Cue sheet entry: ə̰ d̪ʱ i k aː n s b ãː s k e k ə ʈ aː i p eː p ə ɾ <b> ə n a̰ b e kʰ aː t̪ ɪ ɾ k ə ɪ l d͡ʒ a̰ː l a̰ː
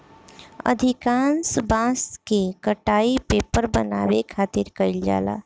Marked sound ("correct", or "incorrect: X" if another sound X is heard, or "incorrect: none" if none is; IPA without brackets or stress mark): correct